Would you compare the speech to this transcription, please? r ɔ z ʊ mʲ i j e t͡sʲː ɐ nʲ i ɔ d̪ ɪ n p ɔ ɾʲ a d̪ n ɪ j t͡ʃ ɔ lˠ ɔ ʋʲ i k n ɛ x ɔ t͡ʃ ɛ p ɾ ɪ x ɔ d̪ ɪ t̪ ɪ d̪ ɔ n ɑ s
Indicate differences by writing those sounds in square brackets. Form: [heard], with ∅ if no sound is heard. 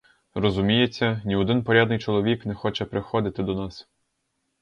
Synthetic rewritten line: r ɔ z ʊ mʲ i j e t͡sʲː ɐ nʲ i ɔ d̪ ɪ n p ɔ ɾʲ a d̪ n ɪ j t͡ʃ ɔ lˠ ɔ ʋʲ i k n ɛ x ɔ t͡ʃ ɛ p ɾ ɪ x ɔ d̪ ɪ t̪ ɪ d̪ ɔ n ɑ s

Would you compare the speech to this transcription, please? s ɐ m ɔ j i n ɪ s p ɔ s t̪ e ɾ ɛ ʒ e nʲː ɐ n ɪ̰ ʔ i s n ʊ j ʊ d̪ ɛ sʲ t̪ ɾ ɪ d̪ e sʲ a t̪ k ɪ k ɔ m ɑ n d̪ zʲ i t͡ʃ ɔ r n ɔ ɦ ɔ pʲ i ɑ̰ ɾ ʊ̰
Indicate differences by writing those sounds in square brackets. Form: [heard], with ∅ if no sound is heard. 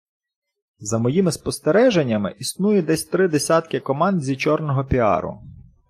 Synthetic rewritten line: [z] ɐ m ɔ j i [m] ɪ s p ɔ s t̪ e ɾ ɛ ʒ e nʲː ɐ [m] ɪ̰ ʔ i s n [u] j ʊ d̪ ɛ sʲ t̪ ɾ ɪ d̪ e sʲ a t̪ k ɪ k ɔ m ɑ n d̪ zʲ i t͡ʃ ɔ r n ɔ ɦ ɔ pʲ i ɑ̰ ɾ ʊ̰

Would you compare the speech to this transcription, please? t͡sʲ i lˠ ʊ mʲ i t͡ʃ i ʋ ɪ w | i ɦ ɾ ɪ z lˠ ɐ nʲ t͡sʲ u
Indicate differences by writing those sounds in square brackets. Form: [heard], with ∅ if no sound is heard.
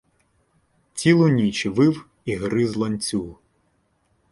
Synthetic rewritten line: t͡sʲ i lˠ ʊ [nʲ] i t͡ʃ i ʋ ɪ w | i ɦ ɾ ɪ z lˠ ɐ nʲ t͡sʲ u

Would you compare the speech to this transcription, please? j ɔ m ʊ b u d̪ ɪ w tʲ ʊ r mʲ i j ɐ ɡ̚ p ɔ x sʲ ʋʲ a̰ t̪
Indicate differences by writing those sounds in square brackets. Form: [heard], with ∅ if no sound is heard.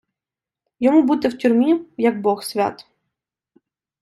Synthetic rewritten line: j ɔ m [u] b u [t̪] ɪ w tʲ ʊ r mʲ i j ɐ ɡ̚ [b] ɔ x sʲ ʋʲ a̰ t̪

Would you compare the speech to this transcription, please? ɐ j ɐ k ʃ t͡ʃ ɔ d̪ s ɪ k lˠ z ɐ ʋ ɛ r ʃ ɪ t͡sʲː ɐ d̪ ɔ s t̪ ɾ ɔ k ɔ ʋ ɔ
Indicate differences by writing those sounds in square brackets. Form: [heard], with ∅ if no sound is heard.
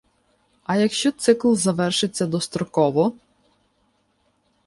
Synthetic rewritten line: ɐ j ɐ k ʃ t͡ʃ ɔ [t̪] s ɪ k lˠ z ɐ ʋ ɛ r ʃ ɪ t͡sʲː ɐ d̪ ɔ s t̪ ɾ ɔ k ɔ ʋ ɔ

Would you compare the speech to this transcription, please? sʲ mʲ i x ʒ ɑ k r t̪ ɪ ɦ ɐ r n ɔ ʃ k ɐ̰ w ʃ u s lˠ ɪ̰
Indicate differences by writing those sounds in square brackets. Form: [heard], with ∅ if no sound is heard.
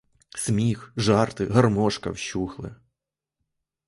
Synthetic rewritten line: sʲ mʲ i x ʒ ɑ [∅] r t̪ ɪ ɦ ɐ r [m] ɔ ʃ k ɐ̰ w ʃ u [x] lˠ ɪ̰

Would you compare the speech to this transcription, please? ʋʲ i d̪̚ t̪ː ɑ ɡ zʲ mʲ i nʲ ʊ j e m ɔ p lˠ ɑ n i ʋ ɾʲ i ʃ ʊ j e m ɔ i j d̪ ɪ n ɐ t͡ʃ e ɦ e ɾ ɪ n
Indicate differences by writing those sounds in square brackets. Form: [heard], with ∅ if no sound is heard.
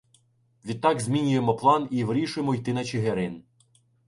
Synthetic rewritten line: ʋʲ i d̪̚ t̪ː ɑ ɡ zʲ mʲ i nʲ ʊ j e m ɔ p lˠ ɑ n i ʋ ɾʲ i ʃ ʊ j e m ɔ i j [t̪] ɪ n ɐ t͡ʃ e ɦ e ɾ ɪ n

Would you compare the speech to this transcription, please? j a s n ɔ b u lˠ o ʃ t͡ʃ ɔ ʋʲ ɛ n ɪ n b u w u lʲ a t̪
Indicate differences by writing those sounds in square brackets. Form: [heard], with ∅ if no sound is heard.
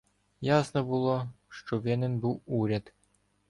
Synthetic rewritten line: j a s n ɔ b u lˠ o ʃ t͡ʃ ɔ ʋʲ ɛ n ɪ n b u w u [ɾʲ] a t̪

